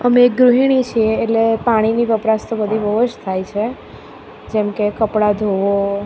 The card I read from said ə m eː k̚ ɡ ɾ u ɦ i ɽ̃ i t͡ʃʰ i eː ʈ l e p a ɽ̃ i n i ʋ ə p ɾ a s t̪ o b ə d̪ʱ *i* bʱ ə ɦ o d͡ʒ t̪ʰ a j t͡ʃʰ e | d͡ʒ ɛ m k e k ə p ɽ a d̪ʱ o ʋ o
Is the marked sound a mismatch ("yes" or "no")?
no